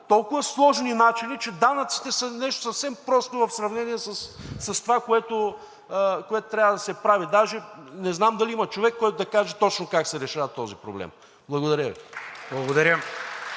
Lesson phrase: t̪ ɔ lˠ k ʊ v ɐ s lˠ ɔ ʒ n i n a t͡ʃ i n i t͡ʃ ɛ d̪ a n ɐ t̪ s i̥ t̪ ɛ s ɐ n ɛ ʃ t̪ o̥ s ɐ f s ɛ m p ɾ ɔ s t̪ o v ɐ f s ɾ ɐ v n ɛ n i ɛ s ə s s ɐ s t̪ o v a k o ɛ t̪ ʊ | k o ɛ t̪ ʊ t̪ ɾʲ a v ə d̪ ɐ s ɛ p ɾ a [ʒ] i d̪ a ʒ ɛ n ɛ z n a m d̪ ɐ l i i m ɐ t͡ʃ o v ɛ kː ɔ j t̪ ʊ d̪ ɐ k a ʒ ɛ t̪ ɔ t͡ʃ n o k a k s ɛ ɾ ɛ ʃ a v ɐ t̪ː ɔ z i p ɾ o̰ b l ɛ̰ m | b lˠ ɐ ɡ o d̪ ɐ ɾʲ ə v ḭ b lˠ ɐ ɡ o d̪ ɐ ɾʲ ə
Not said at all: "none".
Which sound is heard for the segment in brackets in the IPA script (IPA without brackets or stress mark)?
v